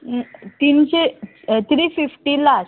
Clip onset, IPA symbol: t̪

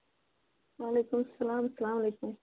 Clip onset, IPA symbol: w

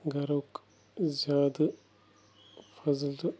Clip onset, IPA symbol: ɡ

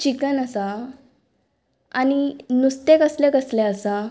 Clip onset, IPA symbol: t͡ɕ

